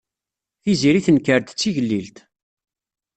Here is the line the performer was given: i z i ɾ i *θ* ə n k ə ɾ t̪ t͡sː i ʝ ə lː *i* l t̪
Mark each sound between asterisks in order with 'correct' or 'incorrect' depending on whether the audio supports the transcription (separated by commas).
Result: correct, correct